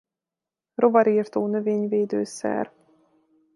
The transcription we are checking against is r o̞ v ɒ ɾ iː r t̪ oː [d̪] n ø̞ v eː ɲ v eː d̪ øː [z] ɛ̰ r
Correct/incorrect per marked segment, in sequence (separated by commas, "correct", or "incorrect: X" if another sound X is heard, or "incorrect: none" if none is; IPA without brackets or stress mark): incorrect: none, incorrect: s